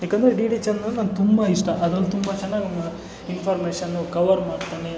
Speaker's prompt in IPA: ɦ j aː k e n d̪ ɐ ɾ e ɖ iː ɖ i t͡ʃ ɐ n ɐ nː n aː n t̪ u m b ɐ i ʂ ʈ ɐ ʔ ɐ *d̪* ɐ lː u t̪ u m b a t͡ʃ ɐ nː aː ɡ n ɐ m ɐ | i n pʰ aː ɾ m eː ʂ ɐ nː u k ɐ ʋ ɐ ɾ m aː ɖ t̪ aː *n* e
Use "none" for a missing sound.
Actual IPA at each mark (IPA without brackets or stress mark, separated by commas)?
d̪, n